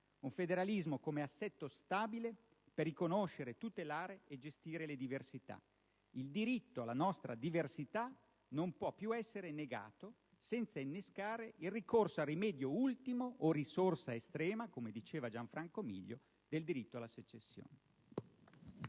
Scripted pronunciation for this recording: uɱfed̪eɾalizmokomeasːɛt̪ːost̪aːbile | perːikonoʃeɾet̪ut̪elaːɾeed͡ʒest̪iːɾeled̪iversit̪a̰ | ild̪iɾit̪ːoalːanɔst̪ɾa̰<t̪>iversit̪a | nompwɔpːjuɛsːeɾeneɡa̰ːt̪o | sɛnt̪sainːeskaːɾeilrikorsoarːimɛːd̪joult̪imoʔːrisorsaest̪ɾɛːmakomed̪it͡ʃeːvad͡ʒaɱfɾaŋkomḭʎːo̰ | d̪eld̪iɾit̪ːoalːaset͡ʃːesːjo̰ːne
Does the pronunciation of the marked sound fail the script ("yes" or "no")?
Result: yes